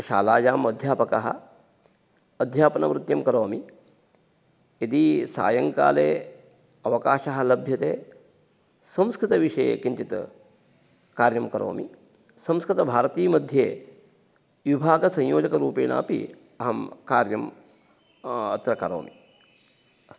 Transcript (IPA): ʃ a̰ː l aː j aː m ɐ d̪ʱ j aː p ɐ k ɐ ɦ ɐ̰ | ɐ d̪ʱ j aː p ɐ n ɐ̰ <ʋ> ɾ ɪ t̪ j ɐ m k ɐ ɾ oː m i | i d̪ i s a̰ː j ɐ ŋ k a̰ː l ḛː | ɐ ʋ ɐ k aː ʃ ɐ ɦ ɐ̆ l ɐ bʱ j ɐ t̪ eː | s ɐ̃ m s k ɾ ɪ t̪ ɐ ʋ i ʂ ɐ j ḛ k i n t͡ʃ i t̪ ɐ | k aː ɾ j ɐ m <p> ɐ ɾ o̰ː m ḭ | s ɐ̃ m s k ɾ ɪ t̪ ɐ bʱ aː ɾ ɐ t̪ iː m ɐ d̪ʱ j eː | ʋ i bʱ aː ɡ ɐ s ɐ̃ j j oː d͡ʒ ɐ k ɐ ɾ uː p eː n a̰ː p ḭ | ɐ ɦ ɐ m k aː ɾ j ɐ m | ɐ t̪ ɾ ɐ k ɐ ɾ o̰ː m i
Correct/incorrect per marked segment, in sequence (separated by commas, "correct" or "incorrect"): correct, incorrect